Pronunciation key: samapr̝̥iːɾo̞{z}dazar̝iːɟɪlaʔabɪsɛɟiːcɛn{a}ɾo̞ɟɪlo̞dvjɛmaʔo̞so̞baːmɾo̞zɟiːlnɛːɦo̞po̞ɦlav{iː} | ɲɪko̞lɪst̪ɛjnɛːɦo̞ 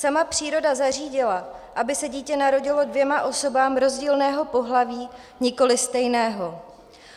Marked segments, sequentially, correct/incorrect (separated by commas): incorrect, correct, correct